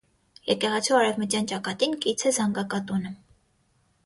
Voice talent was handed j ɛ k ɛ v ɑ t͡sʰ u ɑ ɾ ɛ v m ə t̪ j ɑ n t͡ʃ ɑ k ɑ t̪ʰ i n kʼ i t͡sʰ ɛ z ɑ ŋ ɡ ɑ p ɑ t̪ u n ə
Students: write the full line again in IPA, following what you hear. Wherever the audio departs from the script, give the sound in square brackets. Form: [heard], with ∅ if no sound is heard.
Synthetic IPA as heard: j ɛ k ɛ [ʁ] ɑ t͡sʰ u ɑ ɾ ɛ v m ə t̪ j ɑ n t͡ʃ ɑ k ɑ [t̪] i n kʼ i t͡sʰ ɛ z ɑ ŋ ɡ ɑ [k] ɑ t̪ u n ə